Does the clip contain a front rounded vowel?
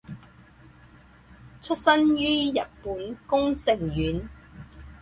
yes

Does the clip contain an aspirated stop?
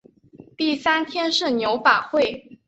yes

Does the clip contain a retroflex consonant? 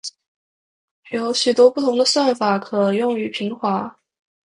no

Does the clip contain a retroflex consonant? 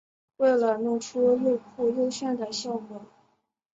yes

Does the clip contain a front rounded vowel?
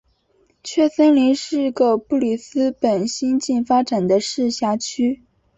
yes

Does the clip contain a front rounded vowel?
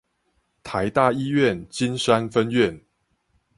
no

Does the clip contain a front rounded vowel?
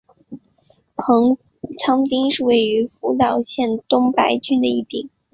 yes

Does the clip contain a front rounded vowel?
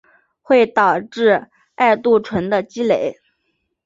no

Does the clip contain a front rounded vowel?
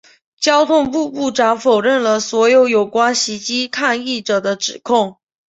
no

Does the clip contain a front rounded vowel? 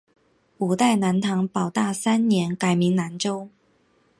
no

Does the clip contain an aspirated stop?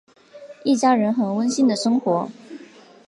no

